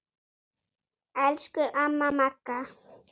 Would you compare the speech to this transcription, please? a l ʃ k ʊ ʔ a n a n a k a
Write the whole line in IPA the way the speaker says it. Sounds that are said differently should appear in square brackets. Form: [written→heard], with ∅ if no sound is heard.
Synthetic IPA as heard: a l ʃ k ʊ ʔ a [n→m] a [n→m] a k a